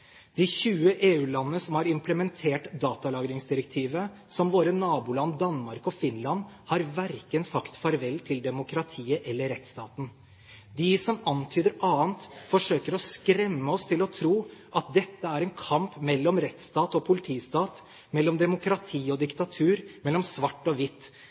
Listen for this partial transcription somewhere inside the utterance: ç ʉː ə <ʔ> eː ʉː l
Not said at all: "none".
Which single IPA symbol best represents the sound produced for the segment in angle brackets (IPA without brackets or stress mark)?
ʔ